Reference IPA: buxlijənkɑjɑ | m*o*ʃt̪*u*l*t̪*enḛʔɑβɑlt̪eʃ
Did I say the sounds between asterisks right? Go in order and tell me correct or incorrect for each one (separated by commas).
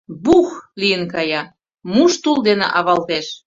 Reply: incorrect, correct, incorrect